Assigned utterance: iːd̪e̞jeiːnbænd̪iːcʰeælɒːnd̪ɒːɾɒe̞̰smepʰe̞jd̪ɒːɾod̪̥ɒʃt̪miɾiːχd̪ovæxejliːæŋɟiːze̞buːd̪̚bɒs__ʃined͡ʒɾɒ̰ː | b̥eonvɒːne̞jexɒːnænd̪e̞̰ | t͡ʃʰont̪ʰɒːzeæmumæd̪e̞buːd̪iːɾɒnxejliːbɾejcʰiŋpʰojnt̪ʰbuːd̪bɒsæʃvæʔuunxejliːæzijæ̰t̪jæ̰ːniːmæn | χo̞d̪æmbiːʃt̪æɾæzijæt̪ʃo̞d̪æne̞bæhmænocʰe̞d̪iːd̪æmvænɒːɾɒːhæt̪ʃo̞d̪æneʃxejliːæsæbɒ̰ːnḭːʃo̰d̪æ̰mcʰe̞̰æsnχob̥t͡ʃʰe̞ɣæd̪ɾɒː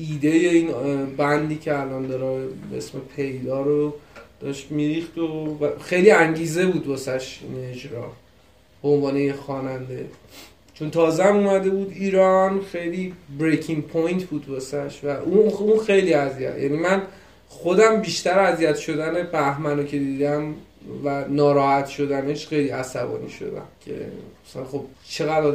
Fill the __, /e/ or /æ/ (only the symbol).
æ